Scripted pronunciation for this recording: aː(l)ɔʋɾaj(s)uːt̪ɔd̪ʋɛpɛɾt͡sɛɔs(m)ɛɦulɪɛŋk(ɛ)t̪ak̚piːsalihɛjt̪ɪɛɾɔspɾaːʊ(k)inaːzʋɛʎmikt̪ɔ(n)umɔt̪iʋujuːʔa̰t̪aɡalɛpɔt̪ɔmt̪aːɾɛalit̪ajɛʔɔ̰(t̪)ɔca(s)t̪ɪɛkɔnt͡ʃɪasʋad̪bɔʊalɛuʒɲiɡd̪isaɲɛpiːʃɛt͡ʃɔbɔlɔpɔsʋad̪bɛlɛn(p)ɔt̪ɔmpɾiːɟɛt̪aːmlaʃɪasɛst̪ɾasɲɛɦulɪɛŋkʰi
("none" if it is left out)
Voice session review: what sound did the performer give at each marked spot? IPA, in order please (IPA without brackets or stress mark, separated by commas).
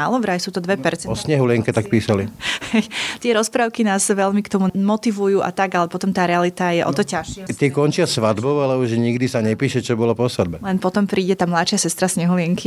l, s, ɲ, ɛ, k, m, t̪, ʃ, p